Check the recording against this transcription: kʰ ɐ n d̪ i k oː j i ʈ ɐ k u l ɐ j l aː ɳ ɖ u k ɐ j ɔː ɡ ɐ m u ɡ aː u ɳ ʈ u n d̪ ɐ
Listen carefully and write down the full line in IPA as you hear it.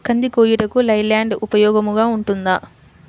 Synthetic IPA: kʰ ɐ n d̪ i k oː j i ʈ ɐ k u l ɐ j l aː ɳ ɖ u p ɐ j ɔː ɡ ɐ m u ɡ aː u ɳ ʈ u n d̪ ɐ